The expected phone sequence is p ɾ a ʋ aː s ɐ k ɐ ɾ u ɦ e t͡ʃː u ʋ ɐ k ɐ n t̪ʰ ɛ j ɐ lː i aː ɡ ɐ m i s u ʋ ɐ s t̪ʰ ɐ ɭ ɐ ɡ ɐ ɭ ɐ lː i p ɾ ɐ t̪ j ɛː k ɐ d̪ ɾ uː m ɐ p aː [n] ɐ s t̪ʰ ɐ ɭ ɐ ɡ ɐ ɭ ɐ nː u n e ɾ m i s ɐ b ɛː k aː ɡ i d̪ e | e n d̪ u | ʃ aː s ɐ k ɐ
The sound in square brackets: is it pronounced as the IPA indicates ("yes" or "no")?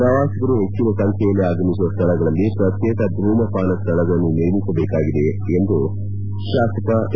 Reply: yes